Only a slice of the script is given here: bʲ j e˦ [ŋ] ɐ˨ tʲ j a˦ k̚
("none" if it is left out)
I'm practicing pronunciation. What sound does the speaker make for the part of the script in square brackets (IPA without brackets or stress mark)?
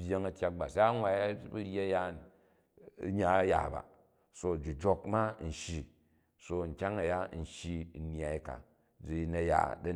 ŋ